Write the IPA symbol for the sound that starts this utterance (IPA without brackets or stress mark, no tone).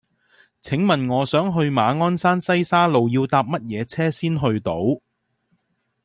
t͡sʰ